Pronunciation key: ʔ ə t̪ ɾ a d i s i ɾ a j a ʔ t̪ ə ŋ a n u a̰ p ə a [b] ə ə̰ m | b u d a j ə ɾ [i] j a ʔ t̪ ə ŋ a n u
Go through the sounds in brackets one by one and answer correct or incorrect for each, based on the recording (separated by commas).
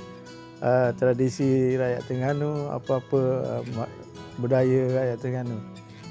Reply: incorrect, incorrect